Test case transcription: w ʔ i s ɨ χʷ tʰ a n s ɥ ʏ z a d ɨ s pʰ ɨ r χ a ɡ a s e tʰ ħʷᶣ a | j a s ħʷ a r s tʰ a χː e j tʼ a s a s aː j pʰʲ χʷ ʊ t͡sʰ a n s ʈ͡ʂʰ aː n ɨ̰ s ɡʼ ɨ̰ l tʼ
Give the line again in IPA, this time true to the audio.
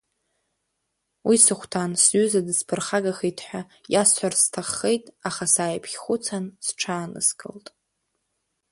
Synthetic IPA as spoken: w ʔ i s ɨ χʷ tʰ a n s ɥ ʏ z a d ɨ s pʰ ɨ r χ a ɡ a χ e tʰ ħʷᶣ a | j a s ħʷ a r s tʰ a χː e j tʼ a χ a s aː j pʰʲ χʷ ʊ t͡sʰ a n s ʈ͡ʂʰ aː n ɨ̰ s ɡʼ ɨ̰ l tʼ

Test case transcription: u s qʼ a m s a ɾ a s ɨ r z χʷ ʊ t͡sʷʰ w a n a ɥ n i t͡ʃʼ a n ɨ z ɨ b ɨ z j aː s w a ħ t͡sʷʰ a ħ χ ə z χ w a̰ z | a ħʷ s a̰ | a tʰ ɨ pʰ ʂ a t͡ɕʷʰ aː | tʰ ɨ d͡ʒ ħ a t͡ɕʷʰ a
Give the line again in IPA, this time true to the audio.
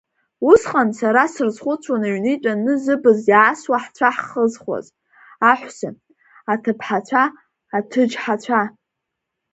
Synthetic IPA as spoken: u s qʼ a n s a ɾ a s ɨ r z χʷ ʊ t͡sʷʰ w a n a ɥ n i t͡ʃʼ a n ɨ z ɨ b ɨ z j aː s w a ħ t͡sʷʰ a ħ χ ə z χ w a̰ z | a ħʷ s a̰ | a tʰ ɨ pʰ ħ a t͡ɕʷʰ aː | tʰ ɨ d͡ʒ ħ a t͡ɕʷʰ a

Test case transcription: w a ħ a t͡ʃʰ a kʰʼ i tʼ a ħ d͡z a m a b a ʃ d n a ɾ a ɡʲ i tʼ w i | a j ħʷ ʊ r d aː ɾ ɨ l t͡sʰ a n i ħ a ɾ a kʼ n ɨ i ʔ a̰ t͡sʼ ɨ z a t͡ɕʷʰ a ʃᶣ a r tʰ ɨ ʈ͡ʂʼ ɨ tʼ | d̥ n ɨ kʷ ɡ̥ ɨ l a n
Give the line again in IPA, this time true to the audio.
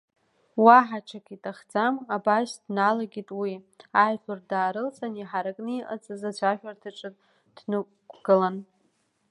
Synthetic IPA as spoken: w a ħ a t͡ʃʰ a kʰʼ i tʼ a χ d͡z a m a b a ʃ d n a l a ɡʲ i tʼ w i | a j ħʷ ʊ r d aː ɾ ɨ l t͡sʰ a n i ħ a ɾ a kʼ n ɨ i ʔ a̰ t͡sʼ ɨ z a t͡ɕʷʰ a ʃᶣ a r tʰ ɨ ʈ͡ʂʼ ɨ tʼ | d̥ n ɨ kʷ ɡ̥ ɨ l a n

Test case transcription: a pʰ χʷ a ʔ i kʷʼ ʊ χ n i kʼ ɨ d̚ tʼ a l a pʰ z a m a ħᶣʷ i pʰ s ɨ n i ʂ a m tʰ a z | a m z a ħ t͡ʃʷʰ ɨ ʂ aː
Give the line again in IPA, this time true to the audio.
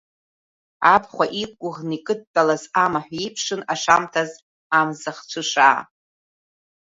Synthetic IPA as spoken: a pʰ χʷ a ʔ i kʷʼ ʊ ʁ n i kʼ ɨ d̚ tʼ a l a z a m a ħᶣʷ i pʰ ʂ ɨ n a ʂ a m tʰ a z | a m z a χ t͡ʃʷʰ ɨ ʂ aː

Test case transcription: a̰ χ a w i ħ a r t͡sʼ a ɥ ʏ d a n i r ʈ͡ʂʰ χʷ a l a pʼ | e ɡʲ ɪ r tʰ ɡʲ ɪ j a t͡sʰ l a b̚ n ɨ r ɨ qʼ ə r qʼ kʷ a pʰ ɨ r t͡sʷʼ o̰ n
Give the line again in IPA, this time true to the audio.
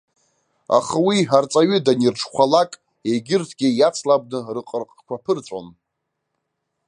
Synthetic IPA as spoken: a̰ χ a w i ħ a r t͡sʼ a ɥ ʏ d a n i r ʈ͡ʂʰ χʷ a l a kʼ | e ɡʲ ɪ r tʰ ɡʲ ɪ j a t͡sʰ l a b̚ n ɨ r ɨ qʼ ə r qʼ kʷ a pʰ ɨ r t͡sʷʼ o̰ n

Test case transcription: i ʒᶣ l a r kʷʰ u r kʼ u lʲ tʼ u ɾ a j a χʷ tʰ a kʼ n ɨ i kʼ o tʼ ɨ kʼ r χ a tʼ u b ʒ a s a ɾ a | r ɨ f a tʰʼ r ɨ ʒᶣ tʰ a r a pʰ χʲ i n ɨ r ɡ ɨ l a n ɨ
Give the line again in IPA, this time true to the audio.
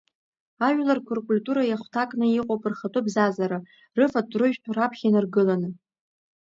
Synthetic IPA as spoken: a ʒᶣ l a r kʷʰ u r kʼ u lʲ tʼ u ɾ a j a χʷ tʰ a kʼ n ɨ i qʼ o pʼ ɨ r χ a tʼ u b z a z a ɾ a | r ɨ f a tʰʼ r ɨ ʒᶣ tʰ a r a pʰ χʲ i n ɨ r ɡ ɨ l a n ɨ

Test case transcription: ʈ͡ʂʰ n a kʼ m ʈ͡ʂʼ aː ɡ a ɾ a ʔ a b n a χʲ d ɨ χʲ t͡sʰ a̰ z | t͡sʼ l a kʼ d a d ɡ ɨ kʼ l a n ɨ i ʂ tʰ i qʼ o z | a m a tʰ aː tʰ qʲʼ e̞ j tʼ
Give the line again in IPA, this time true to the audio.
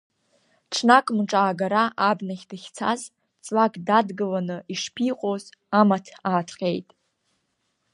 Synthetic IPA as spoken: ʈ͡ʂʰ n a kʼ m ʈ͡ʂʼ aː ɡ a ɾ a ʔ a b n a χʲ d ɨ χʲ t͡sʰ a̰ z | t͡sʼ l a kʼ d a d ɡ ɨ l a n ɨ i ʂ pʰ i qʼ o z | a m a tʰ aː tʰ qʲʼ e̞ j tʼ

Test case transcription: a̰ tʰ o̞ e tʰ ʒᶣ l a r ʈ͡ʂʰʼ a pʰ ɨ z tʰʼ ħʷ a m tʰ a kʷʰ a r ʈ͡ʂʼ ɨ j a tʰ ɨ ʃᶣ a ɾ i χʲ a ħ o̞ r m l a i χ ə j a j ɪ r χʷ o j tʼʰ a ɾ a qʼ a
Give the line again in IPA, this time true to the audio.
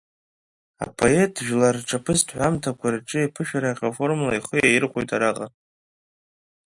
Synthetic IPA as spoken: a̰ pʰ o̞ e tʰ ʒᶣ l a r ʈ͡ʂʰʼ a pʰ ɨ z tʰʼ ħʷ a m tʰ a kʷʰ a r ʈ͡ʂʼ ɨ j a pʰ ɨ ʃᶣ a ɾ a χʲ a f o̞ r m l a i χ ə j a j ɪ r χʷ o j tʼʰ a ɾ a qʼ a

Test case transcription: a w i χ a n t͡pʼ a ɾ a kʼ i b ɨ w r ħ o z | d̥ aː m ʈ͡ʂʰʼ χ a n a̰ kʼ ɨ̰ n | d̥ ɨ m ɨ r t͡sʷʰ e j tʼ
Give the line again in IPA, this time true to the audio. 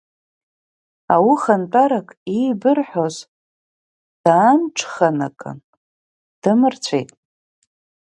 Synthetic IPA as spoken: a w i χ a n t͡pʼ a ɾ a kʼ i b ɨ r ħ o z | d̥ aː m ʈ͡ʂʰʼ χ a n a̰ kʼ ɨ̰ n | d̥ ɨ m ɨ r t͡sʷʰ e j tʼ

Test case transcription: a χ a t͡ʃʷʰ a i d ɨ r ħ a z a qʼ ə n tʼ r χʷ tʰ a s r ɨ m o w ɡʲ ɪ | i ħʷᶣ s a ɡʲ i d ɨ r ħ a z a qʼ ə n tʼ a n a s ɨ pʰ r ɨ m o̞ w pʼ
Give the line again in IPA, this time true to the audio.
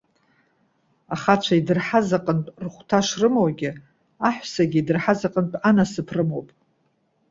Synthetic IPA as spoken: a χ a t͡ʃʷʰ a i d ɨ r ħ a z a qʼ ə n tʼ r χʷ tʰ a ʂ r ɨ m o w ɡʲ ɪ | a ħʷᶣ s a ɡʲ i d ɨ r ħ a z a qʼ ə n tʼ a n a s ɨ pʰ r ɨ m o̞ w pʼ

